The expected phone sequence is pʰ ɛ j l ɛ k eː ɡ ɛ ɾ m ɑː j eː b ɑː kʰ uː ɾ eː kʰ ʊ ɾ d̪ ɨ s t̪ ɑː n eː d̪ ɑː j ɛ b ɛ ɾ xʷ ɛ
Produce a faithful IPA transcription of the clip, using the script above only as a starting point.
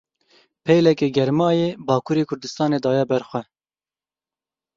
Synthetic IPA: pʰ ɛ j l ɛ k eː ɡ ɛ ɾ m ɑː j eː b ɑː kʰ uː ɾ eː kʰ ʊ ɾ d̪ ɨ s t̪ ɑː n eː d̪ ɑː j ɛ b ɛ ɾ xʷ ɛ

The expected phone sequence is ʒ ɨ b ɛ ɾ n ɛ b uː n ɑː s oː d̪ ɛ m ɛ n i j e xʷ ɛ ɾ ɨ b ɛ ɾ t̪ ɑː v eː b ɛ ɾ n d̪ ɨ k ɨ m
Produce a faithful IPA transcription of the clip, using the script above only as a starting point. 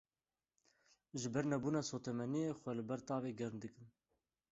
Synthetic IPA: ʒ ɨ b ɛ ɾ n ɛ b uː n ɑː s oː t̪ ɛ m ɛ n i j e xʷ ɛ l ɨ b ɛ ɾ t̪ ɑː v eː ɡ ɛ ɾ n d̪ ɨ k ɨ n

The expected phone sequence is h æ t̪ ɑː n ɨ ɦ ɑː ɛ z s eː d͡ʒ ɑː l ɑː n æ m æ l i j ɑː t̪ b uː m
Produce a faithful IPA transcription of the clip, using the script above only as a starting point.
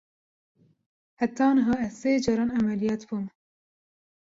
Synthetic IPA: h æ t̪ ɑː n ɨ ɦ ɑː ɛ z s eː d͡ʒ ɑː ɾ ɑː n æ m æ l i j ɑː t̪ b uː m

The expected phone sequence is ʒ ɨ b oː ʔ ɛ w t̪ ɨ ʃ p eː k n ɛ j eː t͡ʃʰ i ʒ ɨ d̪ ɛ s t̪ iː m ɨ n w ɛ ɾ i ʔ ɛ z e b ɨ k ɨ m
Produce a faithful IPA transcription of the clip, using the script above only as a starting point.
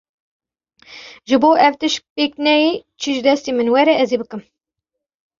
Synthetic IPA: ʒ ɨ b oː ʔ ɛ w t̪ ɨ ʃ p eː k n ɛ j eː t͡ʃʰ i ʒ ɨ d̪ ɛ s t̪ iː m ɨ n w ɛ ɾ ɛ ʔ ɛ z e b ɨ k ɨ m

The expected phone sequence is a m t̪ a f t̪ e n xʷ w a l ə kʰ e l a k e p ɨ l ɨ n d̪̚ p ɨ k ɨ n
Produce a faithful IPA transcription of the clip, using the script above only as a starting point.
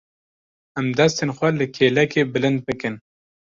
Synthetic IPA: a m d̪ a s t̪ e n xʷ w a l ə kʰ e l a k e b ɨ l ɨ n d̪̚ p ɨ k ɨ n

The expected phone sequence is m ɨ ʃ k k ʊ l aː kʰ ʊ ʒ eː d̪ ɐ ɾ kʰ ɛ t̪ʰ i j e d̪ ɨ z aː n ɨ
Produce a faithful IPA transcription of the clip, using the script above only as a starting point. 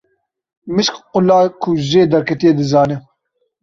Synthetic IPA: m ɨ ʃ k q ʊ l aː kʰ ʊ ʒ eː d̪ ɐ ɾ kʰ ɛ t̪ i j e d̪ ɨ z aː n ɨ

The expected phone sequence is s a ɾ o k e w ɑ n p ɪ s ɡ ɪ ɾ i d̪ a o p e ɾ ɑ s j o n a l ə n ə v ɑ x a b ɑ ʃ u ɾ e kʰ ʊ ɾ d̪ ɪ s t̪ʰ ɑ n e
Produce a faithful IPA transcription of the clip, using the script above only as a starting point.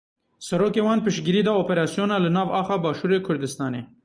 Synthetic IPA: s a ɾ o k e w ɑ n p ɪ ʃ ɡ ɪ ɾ i d̪ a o p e ɾ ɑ s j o n a l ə n ɑ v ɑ x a b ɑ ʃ u ɾ e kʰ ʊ ɾ d̪ ɪ s t̪ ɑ n e

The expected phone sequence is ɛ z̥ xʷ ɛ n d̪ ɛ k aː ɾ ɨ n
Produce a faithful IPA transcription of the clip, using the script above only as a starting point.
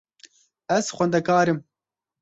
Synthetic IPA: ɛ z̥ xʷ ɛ n d̪ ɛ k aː ɾ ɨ m

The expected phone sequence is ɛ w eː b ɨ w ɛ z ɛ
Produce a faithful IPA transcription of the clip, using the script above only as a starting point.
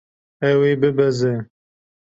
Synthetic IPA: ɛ w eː b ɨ b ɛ z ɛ

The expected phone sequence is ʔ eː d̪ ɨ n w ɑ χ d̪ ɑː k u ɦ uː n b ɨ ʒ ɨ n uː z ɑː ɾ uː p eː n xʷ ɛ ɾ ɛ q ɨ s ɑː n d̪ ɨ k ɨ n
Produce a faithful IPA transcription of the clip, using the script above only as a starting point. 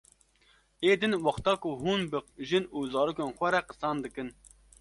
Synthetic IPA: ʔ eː d̪ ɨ n w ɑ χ t̪ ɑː k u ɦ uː n b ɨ ʒ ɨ n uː z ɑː ɾ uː k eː n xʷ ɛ ɾ ɛ q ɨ s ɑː n d̪ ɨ k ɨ n

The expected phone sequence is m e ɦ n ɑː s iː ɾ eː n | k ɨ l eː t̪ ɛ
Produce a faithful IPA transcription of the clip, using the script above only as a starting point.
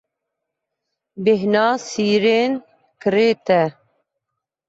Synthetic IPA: b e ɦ n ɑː s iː ɾ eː n | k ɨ ɾ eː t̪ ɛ

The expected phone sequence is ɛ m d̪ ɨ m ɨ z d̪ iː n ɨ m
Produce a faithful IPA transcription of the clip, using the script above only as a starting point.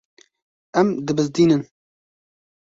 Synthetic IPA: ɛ m d̪ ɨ b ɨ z d̪ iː n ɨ n

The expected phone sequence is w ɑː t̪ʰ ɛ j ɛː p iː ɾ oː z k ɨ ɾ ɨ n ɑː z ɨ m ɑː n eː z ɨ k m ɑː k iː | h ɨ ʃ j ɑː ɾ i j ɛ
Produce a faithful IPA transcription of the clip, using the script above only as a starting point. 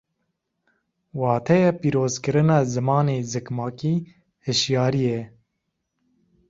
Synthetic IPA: w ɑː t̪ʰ ɛ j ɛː p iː ɾ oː z k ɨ ɾ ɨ n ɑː z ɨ m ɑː n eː z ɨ k m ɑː k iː | h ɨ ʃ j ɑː ɾ i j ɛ

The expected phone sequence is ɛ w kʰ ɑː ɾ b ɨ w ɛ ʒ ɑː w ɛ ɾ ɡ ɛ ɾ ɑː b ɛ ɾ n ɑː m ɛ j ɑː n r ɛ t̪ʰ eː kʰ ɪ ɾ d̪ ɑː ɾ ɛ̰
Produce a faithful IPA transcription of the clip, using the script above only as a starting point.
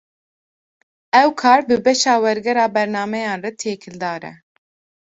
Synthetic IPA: ɛ w kʰ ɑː ɾ b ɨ b ɛ ʃ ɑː w ɛ ɾ ɡ ɛ ɾ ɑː b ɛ ɾ n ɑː m ɛ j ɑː n r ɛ t̪ʰ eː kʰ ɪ l d̪ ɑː ɾ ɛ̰

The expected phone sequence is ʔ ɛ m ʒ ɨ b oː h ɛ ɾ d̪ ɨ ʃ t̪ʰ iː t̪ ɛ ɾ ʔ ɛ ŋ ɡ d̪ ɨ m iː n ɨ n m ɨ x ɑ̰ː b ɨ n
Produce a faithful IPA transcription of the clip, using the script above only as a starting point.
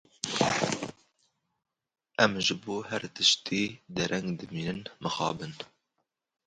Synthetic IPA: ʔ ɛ m ʒ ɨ b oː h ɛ ɾ t̪ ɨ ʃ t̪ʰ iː d̪ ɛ ɾ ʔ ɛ ŋ ɡ d̪ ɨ m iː n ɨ n m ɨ x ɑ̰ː b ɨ n

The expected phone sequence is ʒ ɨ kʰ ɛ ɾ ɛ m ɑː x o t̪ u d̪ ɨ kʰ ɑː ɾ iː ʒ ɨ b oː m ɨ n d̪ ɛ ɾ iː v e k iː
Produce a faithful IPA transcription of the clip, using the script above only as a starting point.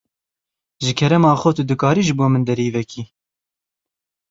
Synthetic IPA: ʒ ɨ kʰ ɛ ɾ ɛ m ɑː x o t̪ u d̪ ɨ k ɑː ɾ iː ʒ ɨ b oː m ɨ n d̪ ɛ ɾ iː v ɛ k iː

